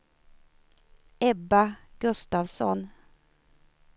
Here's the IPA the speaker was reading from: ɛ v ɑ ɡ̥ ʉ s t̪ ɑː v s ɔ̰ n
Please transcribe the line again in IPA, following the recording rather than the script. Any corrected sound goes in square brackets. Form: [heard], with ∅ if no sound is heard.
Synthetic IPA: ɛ [b] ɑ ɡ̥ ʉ s t̪ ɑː [ʋ] s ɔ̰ n